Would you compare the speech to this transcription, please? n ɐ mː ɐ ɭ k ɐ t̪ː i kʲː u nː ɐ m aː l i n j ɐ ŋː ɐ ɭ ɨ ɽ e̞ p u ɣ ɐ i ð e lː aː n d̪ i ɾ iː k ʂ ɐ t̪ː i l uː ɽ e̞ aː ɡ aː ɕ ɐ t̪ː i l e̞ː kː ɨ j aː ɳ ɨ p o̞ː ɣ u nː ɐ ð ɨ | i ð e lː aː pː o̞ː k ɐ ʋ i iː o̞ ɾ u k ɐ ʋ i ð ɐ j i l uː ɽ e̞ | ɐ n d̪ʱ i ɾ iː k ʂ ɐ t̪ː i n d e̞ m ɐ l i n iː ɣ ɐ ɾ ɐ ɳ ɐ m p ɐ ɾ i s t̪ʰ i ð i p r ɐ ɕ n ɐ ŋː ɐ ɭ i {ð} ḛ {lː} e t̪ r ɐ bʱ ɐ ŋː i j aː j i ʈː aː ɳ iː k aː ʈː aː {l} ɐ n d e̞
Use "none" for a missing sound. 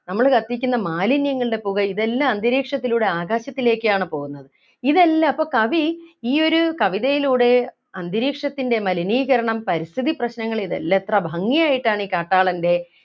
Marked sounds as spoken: ð, lː, ɭ

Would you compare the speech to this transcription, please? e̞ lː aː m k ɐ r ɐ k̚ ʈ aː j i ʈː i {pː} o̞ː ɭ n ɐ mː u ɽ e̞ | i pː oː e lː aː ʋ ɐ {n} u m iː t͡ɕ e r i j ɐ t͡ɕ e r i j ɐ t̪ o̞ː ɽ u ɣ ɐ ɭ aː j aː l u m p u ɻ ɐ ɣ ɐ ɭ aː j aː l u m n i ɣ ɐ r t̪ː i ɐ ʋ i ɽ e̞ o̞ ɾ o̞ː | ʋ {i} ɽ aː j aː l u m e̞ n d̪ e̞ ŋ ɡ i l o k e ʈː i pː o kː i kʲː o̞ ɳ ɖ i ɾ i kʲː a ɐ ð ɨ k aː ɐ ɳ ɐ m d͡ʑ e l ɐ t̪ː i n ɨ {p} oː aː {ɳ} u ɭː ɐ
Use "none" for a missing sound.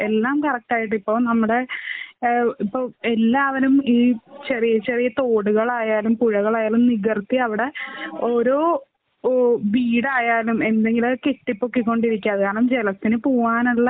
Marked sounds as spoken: pː, n, iː, p, n

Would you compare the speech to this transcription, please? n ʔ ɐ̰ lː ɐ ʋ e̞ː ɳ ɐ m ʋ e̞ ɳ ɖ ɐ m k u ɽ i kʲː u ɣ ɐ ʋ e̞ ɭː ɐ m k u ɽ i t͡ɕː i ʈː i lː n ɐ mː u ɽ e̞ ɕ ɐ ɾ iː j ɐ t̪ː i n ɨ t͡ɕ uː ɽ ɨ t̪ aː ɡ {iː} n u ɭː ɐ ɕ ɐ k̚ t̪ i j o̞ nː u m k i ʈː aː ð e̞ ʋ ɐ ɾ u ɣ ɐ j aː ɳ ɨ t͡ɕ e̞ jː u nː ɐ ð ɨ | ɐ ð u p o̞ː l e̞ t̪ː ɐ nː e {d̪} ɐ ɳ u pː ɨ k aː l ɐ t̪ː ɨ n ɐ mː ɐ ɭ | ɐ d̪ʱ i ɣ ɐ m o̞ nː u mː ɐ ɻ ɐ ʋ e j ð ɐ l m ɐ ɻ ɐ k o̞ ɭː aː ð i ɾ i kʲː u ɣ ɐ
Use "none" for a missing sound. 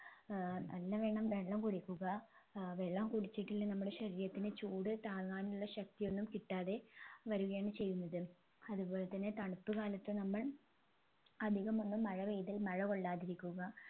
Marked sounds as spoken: aː, t̪

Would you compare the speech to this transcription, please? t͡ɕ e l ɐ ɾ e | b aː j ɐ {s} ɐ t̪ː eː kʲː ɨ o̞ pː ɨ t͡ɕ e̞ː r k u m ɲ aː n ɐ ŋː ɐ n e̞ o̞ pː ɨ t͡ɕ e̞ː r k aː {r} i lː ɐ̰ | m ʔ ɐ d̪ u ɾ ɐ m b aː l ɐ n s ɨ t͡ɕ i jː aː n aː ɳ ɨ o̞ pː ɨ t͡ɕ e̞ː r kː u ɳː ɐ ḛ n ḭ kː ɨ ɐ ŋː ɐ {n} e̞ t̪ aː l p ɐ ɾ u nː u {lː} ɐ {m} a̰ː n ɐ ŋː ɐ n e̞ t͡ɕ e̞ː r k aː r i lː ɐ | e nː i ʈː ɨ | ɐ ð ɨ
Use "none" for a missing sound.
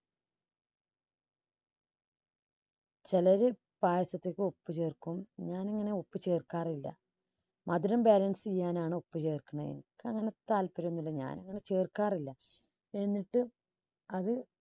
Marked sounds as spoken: s, r, n, lː, ɲ

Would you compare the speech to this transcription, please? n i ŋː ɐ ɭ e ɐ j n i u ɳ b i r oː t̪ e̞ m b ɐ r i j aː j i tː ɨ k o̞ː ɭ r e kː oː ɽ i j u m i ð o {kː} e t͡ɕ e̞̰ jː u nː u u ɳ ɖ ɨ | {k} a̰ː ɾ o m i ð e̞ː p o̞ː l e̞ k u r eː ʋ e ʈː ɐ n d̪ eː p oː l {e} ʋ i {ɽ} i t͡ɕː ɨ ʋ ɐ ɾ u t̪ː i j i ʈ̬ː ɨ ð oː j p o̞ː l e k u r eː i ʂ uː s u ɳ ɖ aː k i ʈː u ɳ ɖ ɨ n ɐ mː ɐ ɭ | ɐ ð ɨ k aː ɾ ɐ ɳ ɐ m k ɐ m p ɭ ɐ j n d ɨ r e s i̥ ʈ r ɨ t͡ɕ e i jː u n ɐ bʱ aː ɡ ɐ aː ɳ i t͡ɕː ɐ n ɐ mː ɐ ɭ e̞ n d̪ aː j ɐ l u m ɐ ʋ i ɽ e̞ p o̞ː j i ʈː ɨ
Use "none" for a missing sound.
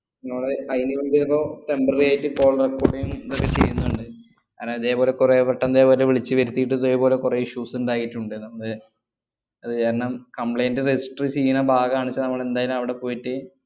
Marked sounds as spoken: kː, k, e, ɭ

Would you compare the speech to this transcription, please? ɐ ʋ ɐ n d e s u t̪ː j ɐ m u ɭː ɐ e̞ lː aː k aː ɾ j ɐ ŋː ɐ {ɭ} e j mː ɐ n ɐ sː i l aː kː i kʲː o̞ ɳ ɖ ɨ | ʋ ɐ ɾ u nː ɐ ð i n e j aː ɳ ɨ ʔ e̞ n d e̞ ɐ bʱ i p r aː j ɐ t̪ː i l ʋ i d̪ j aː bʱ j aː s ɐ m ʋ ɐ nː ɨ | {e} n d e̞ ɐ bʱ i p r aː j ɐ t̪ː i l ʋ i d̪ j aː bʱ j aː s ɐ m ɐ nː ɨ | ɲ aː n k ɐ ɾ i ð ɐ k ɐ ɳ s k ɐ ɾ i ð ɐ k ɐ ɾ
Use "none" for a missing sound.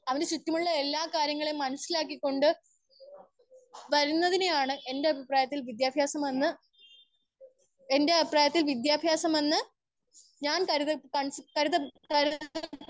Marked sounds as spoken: ɭ, e

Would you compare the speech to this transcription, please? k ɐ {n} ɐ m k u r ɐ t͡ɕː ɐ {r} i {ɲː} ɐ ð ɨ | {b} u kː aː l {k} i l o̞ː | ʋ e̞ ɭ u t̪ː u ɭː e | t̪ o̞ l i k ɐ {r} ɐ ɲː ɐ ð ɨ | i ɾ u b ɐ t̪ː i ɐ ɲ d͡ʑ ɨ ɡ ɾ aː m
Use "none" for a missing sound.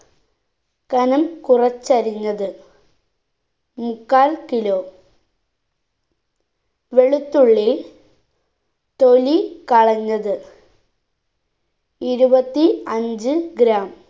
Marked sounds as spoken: n, ɾ, ɲː, m, k, ɭ

